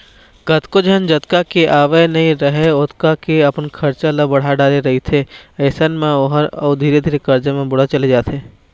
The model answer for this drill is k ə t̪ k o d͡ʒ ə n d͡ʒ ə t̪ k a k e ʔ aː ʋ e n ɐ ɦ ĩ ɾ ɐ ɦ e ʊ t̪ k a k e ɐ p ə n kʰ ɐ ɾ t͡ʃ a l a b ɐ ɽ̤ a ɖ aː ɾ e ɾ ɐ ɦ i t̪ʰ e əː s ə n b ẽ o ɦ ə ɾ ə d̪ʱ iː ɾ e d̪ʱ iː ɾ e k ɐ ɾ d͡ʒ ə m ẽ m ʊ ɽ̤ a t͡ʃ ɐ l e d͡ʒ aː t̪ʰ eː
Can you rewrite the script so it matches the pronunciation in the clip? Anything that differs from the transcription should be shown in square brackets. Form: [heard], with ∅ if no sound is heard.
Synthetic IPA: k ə t̪ k o d͡ʒ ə n d͡ʒ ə t̪ k a k e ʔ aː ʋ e n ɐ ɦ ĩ ɾ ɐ ɦ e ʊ t̪ k a k e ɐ p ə n kʰ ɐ ɾ t͡ʃ a l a b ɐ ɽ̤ a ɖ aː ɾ e ɾ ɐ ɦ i t̪ʰ e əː s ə n [m] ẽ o ɦ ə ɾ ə d̪ʱ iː ɾ e d̪ʱ iː ɾ e k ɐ ɾ d͡ʒ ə m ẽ [b] ʊ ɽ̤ a t͡ʃ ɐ l e d͡ʒ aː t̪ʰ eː

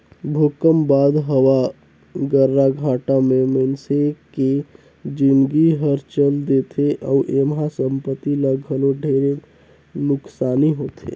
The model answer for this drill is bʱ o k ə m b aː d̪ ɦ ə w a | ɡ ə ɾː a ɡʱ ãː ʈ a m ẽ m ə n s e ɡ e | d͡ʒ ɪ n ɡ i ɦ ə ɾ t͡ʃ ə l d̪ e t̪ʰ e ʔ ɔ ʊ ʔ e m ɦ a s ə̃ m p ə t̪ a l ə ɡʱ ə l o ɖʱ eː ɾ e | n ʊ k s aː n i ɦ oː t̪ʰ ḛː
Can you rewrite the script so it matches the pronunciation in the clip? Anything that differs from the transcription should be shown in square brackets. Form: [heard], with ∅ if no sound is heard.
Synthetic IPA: bʱ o k ə m b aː d̪ ɦ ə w a | ɡ ə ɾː a ɡʱ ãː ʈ a m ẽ m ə n s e [k] e | d͡ʒ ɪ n ɡ i ɦ ə ɾ t͡ʃ ə l d̪ e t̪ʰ e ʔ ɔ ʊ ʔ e m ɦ a s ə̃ m p ə t̪ [i] l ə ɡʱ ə l o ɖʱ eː ɾ e | n ʊ k s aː n i ɦ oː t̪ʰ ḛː

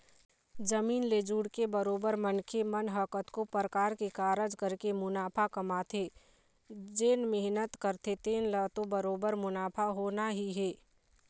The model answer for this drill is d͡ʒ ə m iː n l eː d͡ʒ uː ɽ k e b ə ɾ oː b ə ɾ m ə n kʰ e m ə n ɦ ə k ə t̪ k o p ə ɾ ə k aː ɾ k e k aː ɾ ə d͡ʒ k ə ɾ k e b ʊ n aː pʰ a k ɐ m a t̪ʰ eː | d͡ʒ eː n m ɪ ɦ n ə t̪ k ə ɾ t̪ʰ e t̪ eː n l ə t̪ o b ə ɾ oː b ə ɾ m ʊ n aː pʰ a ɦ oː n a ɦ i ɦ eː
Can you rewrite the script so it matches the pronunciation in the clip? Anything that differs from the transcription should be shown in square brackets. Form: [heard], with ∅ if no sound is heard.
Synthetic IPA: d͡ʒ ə m iː n l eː d͡ʒ uː ɽ k e b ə ɾ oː b ə ɾ m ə n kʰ e m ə n ɦ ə k ə t̪ k o p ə ɾ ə k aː ɾ k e k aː ɾ ə d͡ʒ k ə ɾ k e [m] ʊ n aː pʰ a k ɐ m a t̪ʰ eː | d͡ʒ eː n m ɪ ɦ n ə t̪ k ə ɾ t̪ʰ e t̪ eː n l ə t̪ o b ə ɾ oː b ə ɾ m ʊ n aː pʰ a ɦ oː n a ɦ i ɦ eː

